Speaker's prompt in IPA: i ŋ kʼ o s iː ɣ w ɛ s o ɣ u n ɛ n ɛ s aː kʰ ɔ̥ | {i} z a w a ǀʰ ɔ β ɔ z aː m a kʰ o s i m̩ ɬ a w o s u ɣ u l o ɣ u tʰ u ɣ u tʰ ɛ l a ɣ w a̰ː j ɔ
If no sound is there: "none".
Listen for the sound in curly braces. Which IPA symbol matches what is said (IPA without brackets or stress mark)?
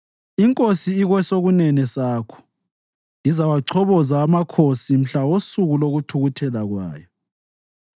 i